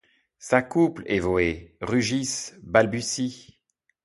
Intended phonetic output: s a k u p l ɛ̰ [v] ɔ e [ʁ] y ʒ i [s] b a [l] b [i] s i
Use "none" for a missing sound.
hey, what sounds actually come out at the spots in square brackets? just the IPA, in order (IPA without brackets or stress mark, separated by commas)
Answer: v, ʁ, s, l, y